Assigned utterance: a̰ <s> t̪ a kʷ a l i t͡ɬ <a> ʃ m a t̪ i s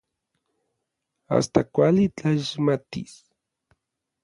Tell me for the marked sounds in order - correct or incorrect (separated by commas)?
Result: correct, correct